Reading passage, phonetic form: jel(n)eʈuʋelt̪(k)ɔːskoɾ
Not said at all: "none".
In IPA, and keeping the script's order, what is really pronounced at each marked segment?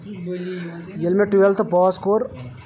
m, p

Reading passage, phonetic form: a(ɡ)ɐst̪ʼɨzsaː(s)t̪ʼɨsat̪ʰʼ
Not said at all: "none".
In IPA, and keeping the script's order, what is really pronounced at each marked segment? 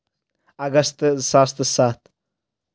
ɡ, s

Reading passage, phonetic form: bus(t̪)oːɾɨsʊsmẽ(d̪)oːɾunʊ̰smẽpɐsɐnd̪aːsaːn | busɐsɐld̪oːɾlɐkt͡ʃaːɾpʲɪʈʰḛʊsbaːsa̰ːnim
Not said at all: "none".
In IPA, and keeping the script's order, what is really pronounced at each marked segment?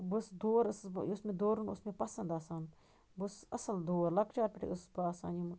d̪, d̪

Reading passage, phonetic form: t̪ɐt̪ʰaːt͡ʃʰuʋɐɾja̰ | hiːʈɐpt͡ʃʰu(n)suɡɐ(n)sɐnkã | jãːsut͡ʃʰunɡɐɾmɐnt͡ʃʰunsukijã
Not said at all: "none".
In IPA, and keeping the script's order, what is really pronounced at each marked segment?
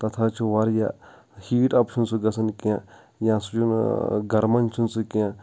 n, none

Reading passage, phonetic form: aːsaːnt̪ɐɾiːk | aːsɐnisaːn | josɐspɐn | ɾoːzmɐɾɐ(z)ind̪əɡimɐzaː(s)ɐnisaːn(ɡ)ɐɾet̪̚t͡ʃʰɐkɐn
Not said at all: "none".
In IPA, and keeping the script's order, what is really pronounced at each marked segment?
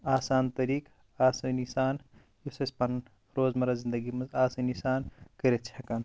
z, s, k

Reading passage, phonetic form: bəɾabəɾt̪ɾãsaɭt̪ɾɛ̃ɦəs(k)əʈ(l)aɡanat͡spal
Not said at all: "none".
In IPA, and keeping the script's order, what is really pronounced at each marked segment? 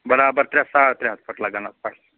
p, l

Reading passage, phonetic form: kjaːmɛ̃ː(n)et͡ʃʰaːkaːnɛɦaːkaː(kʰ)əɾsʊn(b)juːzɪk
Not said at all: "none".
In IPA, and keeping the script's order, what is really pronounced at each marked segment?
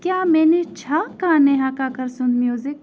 n, k, m

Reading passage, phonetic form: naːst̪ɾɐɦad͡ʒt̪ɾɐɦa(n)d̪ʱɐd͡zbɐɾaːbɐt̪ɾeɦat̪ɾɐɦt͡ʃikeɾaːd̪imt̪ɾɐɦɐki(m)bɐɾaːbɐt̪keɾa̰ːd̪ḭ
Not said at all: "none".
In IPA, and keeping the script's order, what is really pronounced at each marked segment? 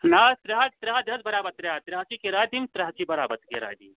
none, none

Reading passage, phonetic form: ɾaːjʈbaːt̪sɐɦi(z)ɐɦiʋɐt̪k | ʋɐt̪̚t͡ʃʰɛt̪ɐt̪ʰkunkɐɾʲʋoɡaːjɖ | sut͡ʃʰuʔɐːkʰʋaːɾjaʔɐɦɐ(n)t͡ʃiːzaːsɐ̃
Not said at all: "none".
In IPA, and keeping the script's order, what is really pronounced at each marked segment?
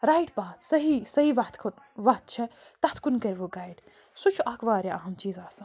s, m

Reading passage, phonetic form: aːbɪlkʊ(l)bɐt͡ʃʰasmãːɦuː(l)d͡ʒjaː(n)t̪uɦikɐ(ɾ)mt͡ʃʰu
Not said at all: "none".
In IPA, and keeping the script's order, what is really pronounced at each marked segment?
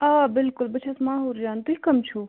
l, ɾ, n, none

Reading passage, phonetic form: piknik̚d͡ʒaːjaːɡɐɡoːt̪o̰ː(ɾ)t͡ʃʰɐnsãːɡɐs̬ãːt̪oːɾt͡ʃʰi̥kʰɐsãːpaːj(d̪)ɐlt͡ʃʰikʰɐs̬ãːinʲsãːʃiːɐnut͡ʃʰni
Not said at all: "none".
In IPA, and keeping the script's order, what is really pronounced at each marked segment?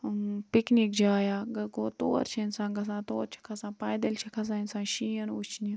ɾ, d̪

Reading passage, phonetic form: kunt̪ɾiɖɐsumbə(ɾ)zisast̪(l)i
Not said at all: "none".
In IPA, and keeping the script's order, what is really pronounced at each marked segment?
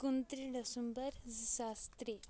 ɾ, ɾ

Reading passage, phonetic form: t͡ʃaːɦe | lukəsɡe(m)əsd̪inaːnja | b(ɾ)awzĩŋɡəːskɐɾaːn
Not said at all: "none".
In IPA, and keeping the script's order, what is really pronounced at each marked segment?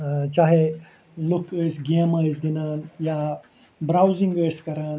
m, ɾ

